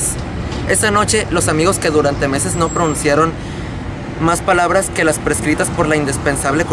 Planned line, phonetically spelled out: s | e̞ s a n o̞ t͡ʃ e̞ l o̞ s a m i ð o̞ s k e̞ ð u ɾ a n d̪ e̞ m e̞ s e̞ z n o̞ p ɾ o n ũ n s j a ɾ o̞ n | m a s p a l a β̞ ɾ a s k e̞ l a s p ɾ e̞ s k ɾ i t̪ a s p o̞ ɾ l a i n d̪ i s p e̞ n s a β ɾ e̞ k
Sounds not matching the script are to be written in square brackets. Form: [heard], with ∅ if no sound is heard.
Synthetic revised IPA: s | e̞ s a n o̞ t͡ʃ e̞ l o̞ s a m i [ɣ] o̞ s k e̞ ð u ɾ a n [t̪] e̞ m e̞ s e̞ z n o̞ p ɾ o n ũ n s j a ɾ o̞ n | m a s p a l a β̞ ɾ a s k e̞ l a s p ɾ e̞ s k ɾ i t̪ a s p o̞ ɾ l a i n d̪ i s p e̞ n s a β [l] e̞ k